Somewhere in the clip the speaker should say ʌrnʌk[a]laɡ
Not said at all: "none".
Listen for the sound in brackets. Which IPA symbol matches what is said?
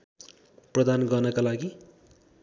a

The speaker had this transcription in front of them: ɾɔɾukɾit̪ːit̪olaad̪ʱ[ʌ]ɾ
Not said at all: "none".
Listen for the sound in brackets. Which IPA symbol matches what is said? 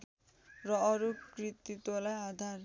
a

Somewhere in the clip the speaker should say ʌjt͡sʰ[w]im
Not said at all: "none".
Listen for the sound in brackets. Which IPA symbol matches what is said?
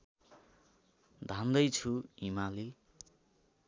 u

